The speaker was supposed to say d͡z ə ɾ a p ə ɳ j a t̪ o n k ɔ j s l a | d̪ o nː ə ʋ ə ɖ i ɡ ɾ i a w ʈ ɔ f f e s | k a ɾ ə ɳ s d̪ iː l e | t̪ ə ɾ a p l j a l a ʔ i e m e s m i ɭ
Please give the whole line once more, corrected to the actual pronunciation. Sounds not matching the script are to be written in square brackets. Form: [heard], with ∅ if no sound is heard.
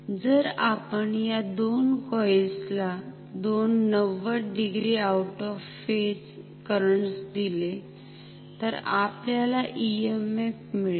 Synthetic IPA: d͡z ə ɾ a p ə ɳ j a [d̪] o n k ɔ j s l a | d̪ o nː ə ʋ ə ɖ i ɡ ɾ i a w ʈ ɔ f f e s | k [ə] ɾ ə ɳ s d̪ [i] l e | t̪ ə ɾ a p l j a l a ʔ i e m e [f] m i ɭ